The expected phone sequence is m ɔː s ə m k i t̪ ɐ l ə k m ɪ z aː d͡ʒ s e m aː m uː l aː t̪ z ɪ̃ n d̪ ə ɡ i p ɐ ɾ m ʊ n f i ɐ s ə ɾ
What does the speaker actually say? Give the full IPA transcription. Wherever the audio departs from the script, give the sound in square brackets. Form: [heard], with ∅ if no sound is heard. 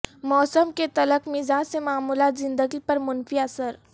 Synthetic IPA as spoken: m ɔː s ə m k [e] t̪ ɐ l ə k m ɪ z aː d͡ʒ s e m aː m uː l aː t̪ z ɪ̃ n d̪ ə ɡ i p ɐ ɾ m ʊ n f i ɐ s ə ɾ